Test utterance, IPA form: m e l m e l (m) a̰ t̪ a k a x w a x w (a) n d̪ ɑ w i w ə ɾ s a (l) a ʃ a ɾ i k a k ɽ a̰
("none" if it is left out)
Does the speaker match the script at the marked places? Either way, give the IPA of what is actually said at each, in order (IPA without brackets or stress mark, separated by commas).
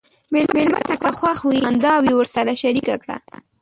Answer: m, i, ɾ